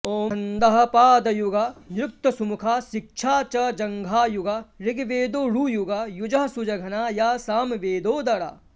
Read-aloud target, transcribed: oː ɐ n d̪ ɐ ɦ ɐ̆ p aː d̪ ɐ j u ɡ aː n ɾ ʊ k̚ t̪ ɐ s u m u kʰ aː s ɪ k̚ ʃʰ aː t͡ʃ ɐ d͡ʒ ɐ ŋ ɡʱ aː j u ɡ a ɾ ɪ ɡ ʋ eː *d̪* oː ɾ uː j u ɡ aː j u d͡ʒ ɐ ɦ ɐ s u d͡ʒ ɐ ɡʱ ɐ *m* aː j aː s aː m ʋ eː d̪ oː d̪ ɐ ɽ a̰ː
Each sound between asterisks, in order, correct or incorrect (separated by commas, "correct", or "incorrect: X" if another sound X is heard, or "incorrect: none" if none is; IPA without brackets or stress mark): correct, incorrect: n